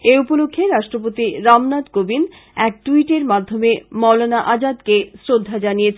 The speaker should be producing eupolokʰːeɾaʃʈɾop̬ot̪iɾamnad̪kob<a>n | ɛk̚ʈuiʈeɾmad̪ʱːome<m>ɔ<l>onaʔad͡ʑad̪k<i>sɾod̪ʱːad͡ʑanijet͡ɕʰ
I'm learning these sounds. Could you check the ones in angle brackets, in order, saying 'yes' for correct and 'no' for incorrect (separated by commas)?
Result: no, yes, yes, no